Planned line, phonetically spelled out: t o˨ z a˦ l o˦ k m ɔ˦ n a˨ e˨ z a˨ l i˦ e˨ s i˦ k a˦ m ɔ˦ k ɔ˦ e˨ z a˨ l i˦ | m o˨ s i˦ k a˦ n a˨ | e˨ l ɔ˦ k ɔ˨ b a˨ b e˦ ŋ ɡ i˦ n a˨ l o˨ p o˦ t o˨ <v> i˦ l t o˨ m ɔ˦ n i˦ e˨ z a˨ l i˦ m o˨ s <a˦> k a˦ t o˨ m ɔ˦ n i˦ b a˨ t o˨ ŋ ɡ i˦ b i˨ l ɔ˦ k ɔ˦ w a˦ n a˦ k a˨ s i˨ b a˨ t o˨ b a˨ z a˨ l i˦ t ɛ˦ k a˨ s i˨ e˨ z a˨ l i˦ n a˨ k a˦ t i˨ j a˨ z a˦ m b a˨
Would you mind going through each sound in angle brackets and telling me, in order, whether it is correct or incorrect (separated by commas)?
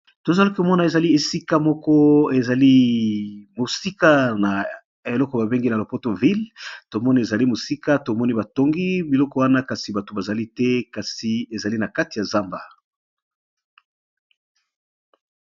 correct, incorrect